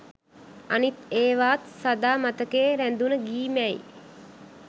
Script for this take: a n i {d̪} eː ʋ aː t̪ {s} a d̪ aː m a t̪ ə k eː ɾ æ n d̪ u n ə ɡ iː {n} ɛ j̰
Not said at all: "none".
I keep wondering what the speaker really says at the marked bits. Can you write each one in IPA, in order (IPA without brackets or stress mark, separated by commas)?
t̪, s, m